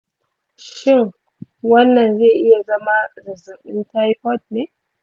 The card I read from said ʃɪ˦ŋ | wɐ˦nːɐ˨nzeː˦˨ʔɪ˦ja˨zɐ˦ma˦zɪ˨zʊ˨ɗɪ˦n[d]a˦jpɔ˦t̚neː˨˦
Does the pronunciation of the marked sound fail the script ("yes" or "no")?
yes